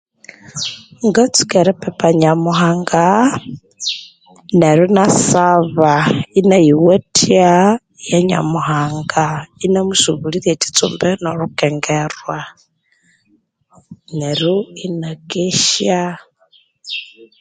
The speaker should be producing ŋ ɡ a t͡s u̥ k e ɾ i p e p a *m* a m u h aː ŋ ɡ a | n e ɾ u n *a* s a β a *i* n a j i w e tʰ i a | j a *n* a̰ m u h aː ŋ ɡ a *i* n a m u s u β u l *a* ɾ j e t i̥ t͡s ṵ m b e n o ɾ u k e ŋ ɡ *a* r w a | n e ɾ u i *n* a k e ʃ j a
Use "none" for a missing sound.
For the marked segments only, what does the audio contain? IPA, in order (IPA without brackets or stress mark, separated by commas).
ɲ, a, i, ɲ, i, i, e, n